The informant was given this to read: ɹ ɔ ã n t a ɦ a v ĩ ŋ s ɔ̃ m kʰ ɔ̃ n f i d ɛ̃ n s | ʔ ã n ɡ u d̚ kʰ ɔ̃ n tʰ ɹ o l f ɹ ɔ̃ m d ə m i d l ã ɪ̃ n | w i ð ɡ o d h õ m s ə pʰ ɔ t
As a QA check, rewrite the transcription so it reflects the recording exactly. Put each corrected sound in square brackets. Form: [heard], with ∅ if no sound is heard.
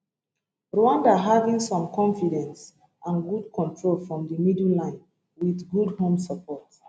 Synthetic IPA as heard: ɹ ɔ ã n [d] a ɦ a v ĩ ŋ s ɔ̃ m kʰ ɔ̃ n f i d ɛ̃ n s | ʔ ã n ɡ u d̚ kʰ ɔ̃ n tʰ ɹ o l f ɹ ɔ̃ m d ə m i d l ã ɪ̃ n | w i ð ɡ [u] d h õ m s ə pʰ ɔ t